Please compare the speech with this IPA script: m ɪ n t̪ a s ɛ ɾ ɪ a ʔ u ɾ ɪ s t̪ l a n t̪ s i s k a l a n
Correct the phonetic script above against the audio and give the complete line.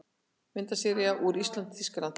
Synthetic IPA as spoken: m ɪ n t̪ a s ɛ ɾ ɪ a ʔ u ɾ i s t̪ l a n t̪ θ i s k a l a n